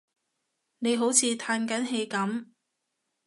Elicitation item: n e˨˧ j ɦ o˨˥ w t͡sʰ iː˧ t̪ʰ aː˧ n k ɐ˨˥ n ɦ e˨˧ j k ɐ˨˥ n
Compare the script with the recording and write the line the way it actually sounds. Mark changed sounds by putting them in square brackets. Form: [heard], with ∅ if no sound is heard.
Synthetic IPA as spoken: n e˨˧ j ɦ o˨˥ w t͡sʰ iː˧ t̪ʰ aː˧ n k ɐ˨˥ n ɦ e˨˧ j k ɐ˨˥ [m]